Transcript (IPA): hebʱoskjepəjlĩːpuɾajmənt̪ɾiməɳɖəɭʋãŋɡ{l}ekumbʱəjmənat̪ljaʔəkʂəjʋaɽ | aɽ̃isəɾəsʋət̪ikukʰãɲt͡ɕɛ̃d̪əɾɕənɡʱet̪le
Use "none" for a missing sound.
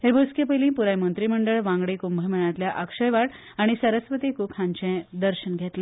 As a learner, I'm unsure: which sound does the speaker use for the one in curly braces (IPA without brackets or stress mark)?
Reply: ɽ